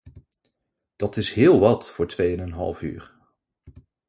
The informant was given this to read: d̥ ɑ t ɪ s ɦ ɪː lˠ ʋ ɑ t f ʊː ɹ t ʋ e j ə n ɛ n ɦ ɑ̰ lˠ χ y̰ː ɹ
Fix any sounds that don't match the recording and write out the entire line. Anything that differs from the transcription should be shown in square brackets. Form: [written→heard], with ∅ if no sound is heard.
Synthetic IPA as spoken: d̥ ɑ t ɪ s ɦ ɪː lˠ ʋ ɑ t f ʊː ɹ t ʋ e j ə n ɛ n ɦ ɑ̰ lˠ [χ→f] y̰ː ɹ